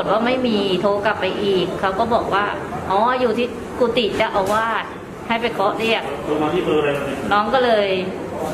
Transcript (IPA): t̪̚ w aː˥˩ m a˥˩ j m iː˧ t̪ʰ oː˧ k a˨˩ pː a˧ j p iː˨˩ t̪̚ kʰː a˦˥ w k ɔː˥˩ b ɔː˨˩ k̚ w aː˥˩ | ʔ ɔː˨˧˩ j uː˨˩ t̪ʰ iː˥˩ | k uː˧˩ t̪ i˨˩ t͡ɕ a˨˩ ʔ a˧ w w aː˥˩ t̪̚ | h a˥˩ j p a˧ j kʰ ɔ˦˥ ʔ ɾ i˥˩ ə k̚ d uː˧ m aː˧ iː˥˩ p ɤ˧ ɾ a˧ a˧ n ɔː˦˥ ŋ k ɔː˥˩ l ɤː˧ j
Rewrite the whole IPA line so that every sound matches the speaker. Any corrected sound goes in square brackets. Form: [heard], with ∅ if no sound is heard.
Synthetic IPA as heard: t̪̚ w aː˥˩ m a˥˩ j m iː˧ t̪ʰ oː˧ k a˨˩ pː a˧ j [ʔ] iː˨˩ [∅] kʰː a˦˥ w k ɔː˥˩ b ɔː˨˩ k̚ w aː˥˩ | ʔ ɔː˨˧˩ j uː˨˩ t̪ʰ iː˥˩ | k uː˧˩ t̪ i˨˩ t͡ɕ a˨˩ ʔ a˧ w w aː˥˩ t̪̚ | h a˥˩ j p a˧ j kʰ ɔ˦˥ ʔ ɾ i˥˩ ə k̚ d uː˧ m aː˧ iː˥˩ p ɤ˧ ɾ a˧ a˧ n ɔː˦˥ ŋ k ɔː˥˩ l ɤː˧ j